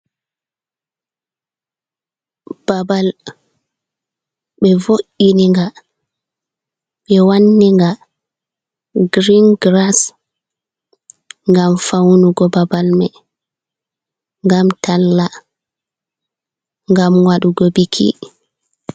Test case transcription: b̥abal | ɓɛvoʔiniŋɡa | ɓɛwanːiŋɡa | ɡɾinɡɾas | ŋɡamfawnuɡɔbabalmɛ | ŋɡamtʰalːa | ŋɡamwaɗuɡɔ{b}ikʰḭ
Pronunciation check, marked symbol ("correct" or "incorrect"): correct